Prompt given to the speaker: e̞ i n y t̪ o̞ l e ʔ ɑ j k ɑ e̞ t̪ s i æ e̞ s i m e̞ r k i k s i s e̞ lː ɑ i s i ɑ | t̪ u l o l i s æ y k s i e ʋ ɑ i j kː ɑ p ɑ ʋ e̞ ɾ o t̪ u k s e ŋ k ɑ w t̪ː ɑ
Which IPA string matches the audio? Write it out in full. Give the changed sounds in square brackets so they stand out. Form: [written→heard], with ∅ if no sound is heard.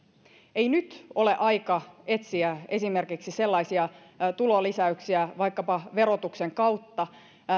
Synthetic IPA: e̞ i n y t̪ o̞ l e ʔ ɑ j k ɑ e̞ t̪ s i æ e̞ s i m e̞ r k i k s i s e̞ lː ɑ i s i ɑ | t̪ u l o l i s æ y k s i [e→æ] ʋ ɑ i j kː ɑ p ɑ ʋ e̞ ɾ o t̪ u k s e ŋ k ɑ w t̪ː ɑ

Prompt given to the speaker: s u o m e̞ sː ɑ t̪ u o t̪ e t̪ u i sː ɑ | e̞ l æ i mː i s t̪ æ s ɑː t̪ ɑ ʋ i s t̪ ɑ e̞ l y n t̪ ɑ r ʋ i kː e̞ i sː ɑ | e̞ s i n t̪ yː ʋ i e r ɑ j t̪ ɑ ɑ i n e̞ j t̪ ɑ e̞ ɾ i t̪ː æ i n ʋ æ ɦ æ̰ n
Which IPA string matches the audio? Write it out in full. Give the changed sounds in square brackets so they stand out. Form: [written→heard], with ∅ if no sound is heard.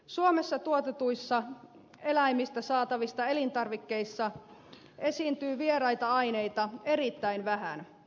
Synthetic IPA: s u o m e̞ sː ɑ t̪ u o t̪ e t̪ u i sː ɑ | e̞ l æ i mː i s t̪ æ s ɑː t̪ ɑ ʋ i s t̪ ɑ e̞ l [y→i] n t̪ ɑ r ʋ i kː e̞ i sː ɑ | e̞ s i n t̪ yː ʋ i e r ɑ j t̪ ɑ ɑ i n e̞ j t̪ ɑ e̞ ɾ i t̪ː æ i n ʋ æ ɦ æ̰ n

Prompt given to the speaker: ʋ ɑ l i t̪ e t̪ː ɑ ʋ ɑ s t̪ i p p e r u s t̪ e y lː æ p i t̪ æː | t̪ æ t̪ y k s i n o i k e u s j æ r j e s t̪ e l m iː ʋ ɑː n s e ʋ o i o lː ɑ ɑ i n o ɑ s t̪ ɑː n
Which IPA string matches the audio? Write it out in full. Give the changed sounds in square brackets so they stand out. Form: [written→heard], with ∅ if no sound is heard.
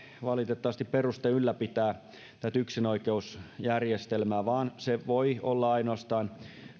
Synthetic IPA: ʋ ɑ l i t̪ e t̪ː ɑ ʋ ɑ s t̪ i p p e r u s t̪ e y lː æ p i t̪ æː | t̪ æ t̪ y k s i n o i k e u s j æ r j e s t̪ e l m [iː→æː] ʋ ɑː n s e ʋ o i o lː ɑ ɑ i n o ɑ s t̪ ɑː n

